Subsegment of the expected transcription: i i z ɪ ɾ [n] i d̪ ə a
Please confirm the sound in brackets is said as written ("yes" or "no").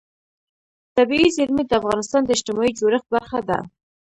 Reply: no